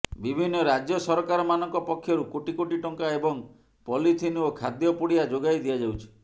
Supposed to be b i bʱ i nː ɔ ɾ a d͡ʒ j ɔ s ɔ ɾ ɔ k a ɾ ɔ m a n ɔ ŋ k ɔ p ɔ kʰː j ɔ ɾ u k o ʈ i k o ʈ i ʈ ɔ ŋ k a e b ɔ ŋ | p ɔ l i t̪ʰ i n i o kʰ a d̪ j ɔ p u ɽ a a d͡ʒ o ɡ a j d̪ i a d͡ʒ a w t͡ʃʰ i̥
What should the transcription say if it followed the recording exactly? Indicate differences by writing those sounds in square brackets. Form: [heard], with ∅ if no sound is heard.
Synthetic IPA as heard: b i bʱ i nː ɔ ɾ a d͡ʒ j ɔ s ɔ ɾ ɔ k a ɾ ɔ m a n ɔ ŋ k ɔ p ɔ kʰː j ɔ ɾ u k o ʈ i k o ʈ i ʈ ɔ ŋ k a e b ɔ ŋ | p ɔ l i t̪ʰ i n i o kʰ a d̪ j ɔ p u ɽ [i] a d͡ʒ o ɡ a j d̪ i a d͡ʒ a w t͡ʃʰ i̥